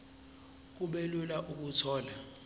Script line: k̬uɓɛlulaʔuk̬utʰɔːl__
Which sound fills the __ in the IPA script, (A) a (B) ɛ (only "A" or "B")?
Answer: A